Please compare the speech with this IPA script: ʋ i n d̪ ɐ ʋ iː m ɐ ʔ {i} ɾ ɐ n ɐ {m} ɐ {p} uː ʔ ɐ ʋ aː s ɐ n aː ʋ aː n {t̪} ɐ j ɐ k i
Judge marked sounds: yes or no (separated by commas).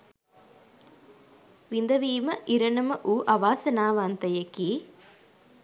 yes, yes, no, yes